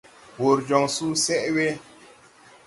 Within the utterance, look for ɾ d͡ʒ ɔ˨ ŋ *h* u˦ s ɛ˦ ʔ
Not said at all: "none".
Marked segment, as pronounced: s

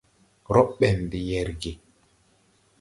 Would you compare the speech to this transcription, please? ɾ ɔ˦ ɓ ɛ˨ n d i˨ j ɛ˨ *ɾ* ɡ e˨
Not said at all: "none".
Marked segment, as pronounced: ɾ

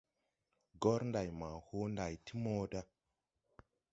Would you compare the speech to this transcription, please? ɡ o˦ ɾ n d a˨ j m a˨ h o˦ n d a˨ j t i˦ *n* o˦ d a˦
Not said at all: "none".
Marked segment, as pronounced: m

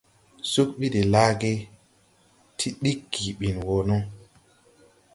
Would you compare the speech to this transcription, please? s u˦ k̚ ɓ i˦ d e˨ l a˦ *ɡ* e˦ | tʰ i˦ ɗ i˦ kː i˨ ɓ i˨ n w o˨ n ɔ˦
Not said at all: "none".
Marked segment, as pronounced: ɡ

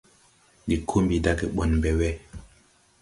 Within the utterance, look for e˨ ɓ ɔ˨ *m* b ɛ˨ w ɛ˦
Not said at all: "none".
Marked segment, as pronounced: n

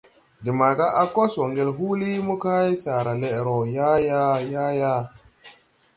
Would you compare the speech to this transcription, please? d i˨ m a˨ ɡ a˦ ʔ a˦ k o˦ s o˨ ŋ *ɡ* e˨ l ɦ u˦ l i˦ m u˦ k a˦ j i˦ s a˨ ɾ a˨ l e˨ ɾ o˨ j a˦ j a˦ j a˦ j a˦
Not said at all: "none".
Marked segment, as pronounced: ɡ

